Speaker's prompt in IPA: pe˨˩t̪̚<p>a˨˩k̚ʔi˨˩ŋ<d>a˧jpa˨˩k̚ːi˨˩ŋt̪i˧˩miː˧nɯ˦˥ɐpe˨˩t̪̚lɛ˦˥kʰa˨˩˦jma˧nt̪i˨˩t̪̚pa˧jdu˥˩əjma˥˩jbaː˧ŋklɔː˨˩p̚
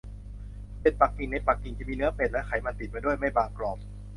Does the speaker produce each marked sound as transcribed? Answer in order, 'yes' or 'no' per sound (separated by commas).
yes, no